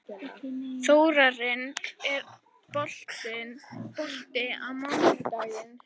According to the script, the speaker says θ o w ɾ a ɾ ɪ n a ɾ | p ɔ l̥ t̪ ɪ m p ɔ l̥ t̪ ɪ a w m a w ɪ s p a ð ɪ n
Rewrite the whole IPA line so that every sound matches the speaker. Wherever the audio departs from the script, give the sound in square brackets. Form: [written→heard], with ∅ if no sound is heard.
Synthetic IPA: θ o w ɾ a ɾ ɪ n [a→ɛ] ɾ | p ɔ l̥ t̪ ɪ [m→n] p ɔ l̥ t̪ ɪ a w m a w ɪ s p a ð ɪ n